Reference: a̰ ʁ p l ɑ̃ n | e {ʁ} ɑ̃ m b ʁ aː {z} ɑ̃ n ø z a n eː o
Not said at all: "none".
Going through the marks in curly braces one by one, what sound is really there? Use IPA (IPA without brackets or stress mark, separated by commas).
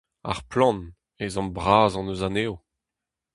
z, z